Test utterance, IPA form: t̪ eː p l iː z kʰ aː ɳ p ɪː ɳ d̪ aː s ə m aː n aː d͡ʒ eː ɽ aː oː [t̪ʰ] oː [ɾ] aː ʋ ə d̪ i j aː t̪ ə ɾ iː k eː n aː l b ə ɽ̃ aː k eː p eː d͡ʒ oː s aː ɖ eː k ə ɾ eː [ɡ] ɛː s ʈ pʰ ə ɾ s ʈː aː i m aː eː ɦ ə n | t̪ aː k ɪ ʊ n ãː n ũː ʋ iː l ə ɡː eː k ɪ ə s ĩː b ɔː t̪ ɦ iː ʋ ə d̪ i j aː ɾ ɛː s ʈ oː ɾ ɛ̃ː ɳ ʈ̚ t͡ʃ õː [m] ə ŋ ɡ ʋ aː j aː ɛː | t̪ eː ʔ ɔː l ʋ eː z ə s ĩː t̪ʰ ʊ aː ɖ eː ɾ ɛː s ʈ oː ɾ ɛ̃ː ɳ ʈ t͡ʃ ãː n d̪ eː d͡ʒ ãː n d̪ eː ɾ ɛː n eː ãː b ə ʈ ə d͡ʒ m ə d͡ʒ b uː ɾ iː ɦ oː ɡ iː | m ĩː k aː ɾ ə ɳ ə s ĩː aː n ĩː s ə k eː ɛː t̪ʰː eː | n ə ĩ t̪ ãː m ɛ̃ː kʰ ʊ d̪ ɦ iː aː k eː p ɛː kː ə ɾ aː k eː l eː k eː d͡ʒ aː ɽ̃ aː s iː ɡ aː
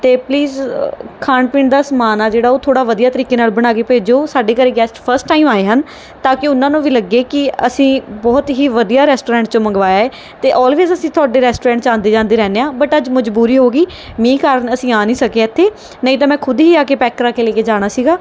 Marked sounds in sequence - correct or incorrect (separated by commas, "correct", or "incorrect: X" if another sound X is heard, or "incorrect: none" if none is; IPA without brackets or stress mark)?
correct, incorrect: ɽ, correct, correct